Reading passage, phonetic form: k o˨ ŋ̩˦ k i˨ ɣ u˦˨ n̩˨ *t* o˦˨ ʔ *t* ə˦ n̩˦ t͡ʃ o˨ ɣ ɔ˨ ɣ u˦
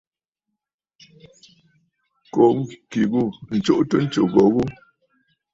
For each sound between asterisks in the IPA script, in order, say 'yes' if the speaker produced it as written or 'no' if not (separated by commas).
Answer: no, yes